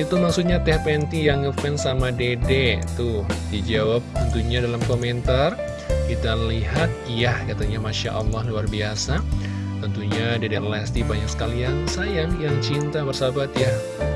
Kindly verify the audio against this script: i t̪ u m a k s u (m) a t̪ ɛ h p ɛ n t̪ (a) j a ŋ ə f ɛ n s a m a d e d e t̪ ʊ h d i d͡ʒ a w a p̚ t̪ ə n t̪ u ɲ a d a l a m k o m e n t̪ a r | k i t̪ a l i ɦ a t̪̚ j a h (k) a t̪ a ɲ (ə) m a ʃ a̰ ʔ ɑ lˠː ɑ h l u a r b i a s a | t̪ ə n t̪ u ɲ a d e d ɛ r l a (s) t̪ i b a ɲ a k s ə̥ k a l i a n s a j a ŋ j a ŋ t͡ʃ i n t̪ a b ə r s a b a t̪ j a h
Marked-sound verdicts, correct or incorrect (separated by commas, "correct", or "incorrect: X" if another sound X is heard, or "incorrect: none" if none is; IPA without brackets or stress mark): incorrect: ɲ, incorrect: i, correct, incorrect: a, correct